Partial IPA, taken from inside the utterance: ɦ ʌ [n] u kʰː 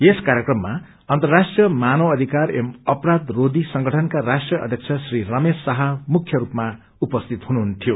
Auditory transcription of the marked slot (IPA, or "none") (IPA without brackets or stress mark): m